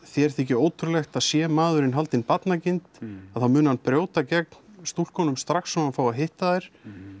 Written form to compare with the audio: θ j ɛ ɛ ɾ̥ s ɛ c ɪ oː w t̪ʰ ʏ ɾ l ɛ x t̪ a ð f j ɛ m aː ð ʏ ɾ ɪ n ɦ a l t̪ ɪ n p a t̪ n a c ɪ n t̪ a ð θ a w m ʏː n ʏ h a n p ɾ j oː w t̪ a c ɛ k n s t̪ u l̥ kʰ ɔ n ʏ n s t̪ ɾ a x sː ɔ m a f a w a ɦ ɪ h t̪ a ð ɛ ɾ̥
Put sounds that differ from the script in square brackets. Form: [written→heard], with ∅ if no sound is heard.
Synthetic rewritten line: θ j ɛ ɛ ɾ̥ [s→θ] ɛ c ɪ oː w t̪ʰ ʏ ɾ l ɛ x t̪ a ð [f→s] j ɛ m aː ð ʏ ɾ ɪ n ɦ a l t̪ ɪ n p a t̪ n a c ɪ n t̪ a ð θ a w m ʏː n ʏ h a n p ɾ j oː w t̪ a c ɛ k n s t̪ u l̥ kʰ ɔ n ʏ [n→m] s t̪ ɾ a x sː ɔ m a f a w a ɦ ɪ h t̪ a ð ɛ ɾ̥

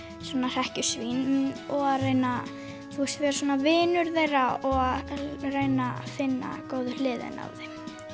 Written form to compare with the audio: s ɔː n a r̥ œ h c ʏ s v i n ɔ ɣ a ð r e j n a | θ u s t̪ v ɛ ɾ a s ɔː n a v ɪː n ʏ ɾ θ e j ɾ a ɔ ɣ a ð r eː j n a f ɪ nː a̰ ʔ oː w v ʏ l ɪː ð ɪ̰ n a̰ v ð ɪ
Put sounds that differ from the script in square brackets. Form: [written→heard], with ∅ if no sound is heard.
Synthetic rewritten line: s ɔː n a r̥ [œ→ɛ] h c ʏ s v i n ɔ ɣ a ð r e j n a | θ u s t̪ v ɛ ɾ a s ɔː n a v ɪː n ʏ ɾ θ e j ɾ a ɔ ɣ a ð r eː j n a f ɪ nː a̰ [ʔ→k] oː w [v→ð] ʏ l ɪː ð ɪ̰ n a̰ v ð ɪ

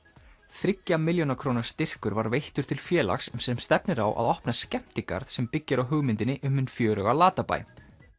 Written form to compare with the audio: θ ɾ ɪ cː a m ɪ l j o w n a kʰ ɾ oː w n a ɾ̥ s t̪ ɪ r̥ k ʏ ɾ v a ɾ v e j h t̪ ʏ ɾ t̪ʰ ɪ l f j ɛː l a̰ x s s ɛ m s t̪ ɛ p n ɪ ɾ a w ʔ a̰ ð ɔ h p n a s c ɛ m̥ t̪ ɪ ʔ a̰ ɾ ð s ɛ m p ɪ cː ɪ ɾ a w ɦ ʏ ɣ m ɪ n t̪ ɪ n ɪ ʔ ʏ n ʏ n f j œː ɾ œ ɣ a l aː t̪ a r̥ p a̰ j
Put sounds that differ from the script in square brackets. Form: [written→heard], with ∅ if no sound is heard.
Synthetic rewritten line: θ ɾ ɪ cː a m ɪ l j o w n a kʰ ɾ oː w n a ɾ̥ s t̪ ɪ r̥ k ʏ ɾ v a ɾ v e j h t̪ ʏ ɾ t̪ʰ ɪ l f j ɛː l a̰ x s s ɛ m s t̪ ɛ p n ɪ ɾ a w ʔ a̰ ð ɔ h p n a s c ɛ m̥ t̪ ɪ [ʔ→k] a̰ ɾ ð s ɛ m p ɪ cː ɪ ɾ a w ɦ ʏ ɣ m ɪ n t̪ ɪ n ɪ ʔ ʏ [n→m] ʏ n f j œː ɾ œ ɣ a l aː t̪ a [r̥→∅] p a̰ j

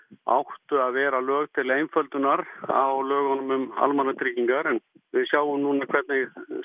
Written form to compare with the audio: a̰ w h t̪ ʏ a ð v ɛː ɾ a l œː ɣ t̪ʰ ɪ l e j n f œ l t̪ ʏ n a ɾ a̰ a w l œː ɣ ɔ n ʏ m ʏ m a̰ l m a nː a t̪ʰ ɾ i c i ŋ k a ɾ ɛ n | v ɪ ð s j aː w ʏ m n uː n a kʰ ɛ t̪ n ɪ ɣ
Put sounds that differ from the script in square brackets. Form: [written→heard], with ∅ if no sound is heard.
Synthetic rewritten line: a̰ w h t̪ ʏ a ð v ɛː ɾ a l œː ɣ t̪ʰ ɪ l e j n f œ l t̪ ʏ n a ɾ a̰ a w l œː ɣ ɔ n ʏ m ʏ m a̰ l m a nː a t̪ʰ ɾ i c i ŋ k a ɾ ɛ n | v ɪ ð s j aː w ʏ m n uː n a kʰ ɛ t̪ n ɪ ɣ

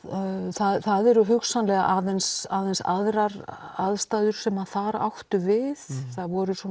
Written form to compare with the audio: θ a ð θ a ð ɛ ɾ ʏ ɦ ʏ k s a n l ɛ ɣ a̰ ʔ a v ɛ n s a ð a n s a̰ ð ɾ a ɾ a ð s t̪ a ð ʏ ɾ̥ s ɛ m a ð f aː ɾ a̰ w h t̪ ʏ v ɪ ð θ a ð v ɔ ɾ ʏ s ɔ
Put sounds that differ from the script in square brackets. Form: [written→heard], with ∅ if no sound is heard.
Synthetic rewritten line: θ a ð θ a ð ɛ ɾ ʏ ɦ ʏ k s a n l ɛ ɣ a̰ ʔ a [v→ð] ɛ n s a ð [a→ɛ] n s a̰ ð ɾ a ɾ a ð s t̪ a ð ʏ ɾ̥ s ɛ m a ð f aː ɾ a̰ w h t̪ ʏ v ɪ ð θ a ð v ɔ ɾ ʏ s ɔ

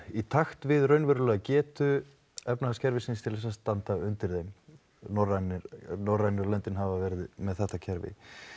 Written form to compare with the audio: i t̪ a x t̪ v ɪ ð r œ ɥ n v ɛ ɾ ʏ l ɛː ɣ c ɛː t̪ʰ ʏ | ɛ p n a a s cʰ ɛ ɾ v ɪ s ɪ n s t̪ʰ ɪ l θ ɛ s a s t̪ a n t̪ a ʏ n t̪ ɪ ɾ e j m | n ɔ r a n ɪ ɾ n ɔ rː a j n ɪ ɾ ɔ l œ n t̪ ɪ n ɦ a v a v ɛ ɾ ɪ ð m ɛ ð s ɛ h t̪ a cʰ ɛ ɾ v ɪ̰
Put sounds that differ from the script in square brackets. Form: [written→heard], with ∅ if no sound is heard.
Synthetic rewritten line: i [t̪→t̪ʰ] a x t̪ v ɪ ð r œ ɥ n v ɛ ɾ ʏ l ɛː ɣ c ɛː [t̪ʰ→t̪] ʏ | ɛ p n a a s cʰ ɛ ɾ v ɪ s ɪ n s t̪ʰ ɪ l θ ɛ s a s t̪ a n t̪ a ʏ n t̪ ɪ ɾ e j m | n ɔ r a n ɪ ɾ n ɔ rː a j n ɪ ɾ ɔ l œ n t̪ ɪ n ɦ a v a v ɛ ɾ ɪ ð m ɛ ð [s→θ] ɛ h t̪ a cʰ ɛ ɾ v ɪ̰

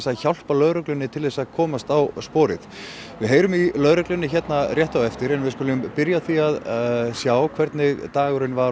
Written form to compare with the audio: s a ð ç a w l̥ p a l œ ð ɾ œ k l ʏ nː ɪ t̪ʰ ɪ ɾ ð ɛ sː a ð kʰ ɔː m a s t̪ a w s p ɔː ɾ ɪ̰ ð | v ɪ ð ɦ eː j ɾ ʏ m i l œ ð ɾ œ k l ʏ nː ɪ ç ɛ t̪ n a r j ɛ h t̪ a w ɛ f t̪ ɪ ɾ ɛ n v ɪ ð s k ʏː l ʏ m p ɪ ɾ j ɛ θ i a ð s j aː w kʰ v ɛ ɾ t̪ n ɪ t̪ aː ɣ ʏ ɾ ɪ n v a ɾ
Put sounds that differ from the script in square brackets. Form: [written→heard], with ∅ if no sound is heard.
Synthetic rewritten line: s a ð ç a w l̥ p a l œ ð ɾ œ k l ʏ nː ɪ t̪ʰ ɪ [ɾ→l] ð ɛ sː a ð kʰ ɔː m a s t̪ a w s p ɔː ɾ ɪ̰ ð | v ɪ ð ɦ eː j ɾ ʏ m i l œ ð ɾ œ k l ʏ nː ɪ ç ɛ t̪ n a r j ɛ h t̪ a w ɛ f t̪ ɪ ɾ ɛ n v ɪ ð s k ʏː l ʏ m p ɪ ɾ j [ɛ→a] θ i a ð s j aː w kʰ v ɛ ɾ t̪ n ɪ t̪ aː ɣ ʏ ɾ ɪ n v a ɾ

